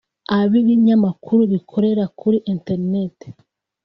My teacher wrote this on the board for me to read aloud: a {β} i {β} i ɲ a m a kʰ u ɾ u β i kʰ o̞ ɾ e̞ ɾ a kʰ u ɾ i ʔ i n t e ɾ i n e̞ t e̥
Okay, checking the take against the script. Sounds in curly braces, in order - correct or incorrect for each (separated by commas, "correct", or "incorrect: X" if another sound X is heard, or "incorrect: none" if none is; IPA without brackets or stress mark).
correct, correct